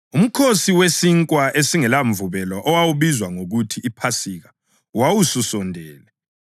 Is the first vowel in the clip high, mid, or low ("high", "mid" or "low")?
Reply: high